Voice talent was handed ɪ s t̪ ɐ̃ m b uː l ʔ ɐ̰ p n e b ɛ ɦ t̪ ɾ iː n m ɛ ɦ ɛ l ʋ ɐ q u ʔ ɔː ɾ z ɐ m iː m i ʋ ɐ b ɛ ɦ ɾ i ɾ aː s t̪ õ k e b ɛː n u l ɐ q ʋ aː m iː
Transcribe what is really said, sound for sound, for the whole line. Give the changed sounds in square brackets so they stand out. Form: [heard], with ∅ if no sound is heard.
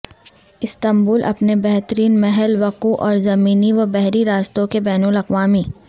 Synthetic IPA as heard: ɪ s t̪ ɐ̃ m b uː l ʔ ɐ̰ p n e b ɛ ɦ t̪ ɾ iː n m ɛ ɦ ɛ l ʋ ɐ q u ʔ ɔː ɾ z ɐ m iː [n] i ʋ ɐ b ɛ ɦ ɾ i ɾ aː s t̪ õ k e b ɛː n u l ɐ q ʋ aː m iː

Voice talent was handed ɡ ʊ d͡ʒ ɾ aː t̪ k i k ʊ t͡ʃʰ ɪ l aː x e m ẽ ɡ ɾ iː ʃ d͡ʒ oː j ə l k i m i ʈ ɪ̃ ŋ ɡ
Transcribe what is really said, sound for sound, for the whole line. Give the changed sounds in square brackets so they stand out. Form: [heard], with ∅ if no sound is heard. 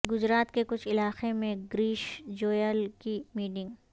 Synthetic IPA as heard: ɡ ʊ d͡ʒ ɾ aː t̪ k [e] k ʊ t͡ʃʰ ɪ l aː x e m ẽ ɡ ɾ iː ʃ d͡ʒ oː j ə l k i m [iː] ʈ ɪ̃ ŋ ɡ

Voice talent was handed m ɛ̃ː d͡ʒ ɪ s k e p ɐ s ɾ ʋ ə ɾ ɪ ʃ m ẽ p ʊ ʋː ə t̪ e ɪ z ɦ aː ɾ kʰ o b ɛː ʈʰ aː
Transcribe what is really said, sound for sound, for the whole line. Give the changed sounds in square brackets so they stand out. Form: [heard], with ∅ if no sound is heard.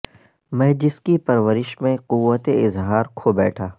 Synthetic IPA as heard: m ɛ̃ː d͡ʒ ɪ s k [i] p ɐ [∅] ɾ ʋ ə ɾ ɪ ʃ m ẽ [q] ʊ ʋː ə t̪ e ɪ z ɦ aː ɾ kʰ o b ɛː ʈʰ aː

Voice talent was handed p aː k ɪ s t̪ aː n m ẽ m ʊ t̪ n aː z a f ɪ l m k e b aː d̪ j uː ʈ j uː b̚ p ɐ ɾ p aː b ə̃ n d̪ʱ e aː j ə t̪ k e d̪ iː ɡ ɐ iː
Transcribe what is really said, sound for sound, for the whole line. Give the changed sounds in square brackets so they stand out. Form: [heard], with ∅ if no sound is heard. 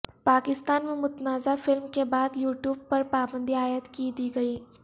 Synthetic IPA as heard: p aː k ɪ s t̪ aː n m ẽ m ʊ t̪ n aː z a f ɪ l m k e b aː d̪ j uː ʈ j uː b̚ p ɐ ɾ p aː b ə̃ n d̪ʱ [i] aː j ə t̪ k [i] d̪ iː ɡ ɐ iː

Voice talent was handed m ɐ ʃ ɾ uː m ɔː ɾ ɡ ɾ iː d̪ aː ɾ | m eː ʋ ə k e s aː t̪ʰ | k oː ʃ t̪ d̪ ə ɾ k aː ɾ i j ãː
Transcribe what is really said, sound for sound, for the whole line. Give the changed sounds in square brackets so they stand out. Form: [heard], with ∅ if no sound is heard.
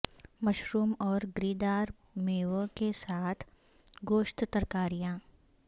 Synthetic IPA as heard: m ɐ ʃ ɾ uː m ɔː ɾ ɡ ɾ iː d̪ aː ɾ | m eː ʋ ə k e s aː t̪ʰ | [ɡ] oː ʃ t̪ [t̪] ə ɾ k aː ɾ i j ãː

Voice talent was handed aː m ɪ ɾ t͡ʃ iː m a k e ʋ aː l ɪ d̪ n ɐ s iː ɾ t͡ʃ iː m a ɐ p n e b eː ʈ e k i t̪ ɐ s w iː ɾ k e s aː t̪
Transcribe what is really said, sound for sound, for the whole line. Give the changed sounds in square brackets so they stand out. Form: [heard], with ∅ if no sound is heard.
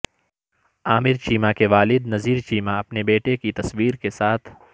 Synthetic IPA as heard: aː m ɪ ɾ t͡ʃ iː m a k e ʋ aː l ɪ d̪ n ɐ [z] iː ɾ t͡ʃ iː m a ɐ p n e b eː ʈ e k i t̪ ɐ s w iː ɾ k e s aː [t̪ʰ]

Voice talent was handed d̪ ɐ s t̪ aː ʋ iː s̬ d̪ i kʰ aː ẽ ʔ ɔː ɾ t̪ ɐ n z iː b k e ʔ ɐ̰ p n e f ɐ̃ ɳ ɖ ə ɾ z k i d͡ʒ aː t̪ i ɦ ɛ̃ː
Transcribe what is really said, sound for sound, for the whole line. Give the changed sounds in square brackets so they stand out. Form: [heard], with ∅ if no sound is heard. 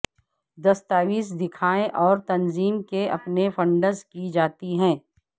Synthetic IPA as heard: d̪ ɐ s t̪ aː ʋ iː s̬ d̪ [ɪ] kʰ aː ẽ ʔ ɔː ɾ t̪ ɐ n z iː [m] k e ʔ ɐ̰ p n e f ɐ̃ ɳ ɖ ə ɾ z k i d͡ʒ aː t̪ i ɦ ɛ̃ː

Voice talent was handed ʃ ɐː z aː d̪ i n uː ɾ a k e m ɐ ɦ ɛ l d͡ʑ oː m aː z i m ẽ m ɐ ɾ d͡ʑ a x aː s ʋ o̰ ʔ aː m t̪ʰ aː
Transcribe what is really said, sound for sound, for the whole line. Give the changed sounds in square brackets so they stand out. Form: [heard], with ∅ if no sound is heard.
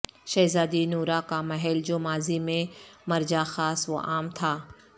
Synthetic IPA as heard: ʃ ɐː z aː d̪ i n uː ɾ a k [a] m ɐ ɦ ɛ l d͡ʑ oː m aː z i m ẽ m ɐ ɾ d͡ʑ a x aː s ʋ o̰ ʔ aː m t̪ʰ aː

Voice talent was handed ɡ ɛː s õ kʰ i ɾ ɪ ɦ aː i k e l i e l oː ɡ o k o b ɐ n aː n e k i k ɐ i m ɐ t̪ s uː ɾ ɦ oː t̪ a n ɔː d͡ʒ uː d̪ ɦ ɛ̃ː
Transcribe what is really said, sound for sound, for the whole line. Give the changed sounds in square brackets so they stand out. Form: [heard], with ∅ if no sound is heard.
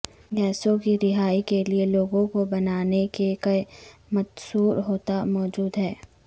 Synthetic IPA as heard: ɡ ɛː s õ [k] i ɾ ɪ ɦ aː i k e l i e l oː ɡ [õ] k o b ɐ n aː n e k [e] k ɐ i m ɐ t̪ s uː ɾ ɦ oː t̪ a [m] ɔː d͡ʒ uː d̪ ɦ [ɛː]

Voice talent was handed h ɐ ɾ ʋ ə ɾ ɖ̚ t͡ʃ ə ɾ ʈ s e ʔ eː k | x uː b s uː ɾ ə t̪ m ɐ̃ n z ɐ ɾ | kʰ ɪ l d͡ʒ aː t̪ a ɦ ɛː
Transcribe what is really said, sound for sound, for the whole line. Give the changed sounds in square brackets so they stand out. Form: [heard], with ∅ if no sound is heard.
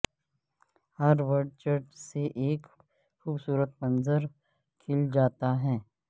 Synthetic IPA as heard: h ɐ ɾ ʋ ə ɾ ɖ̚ t͡ʃ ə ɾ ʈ s e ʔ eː k | x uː b s uː ɾ ə t̪ m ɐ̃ n z [ə] ɾ | kʰ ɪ l d͡ʒ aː t̪ a ɦ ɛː

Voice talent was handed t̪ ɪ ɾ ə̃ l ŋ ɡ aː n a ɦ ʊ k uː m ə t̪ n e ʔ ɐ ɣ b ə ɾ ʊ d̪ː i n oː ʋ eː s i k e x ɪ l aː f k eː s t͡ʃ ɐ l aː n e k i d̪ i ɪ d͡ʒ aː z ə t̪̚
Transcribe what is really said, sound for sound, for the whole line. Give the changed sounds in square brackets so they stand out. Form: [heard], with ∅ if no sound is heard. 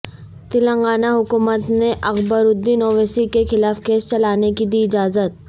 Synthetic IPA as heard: t̪ ɪ [l] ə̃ [∅] ŋ ɡ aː n a ɦ ʊ k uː m ə t̪ n e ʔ ɐ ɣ b ə ɾ ʊ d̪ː i n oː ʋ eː s i k e x ɪ l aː f k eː s t͡ʃ ɐ l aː n e k i d̪ i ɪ d͡ʒ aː z ə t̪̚

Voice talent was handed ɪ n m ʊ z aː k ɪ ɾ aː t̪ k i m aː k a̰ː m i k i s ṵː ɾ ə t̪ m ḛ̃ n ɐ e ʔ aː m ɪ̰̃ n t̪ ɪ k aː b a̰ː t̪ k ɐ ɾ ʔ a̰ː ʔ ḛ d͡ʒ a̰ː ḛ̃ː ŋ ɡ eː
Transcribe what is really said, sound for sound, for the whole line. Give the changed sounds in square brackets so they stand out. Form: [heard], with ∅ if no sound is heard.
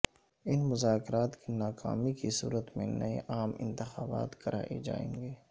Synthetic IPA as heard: ɪ n m ʊ z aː k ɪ ɾ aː t̪ k i [n] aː k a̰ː m i k i s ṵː ɾ ə t̪ m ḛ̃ n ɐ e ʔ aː m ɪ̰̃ n t̪ ɪ [x] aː b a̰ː t̪ k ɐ ɾ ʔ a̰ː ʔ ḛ d͡ʒ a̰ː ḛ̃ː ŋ ɡ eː

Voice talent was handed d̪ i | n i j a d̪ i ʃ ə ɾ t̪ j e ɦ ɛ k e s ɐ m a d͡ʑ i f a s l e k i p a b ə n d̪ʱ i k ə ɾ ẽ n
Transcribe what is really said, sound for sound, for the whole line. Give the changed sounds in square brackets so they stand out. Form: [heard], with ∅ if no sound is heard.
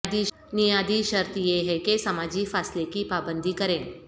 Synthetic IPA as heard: d̪ i | n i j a d̪ i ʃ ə ɾ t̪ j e ɦ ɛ k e s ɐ m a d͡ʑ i f a s l e k i p a b ə n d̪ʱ i k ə ɾ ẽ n

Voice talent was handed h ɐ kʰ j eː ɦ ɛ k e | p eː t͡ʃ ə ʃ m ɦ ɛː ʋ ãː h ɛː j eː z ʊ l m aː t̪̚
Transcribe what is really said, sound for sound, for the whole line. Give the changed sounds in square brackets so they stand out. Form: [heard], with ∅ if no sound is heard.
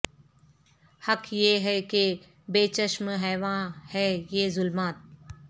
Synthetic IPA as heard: h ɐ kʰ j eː ɦ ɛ k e | [b] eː t͡ʃ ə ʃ m ɦ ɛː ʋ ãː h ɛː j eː z ʊ l m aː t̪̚

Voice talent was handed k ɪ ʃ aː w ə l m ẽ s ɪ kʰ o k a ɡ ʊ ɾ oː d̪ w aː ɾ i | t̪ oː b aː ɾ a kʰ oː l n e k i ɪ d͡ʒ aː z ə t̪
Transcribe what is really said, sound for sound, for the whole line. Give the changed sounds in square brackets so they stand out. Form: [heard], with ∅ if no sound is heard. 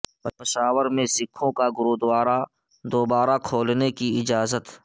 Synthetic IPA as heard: [p] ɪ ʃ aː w ə [ɾ] m ẽ s ɪ kʰ [õ] k a ɡ ʊ ɾ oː d̪ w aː ɾ [a] | [d̪] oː b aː ɾ a kʰ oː l n e k i ɪ d͡ʒ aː z ə t̪

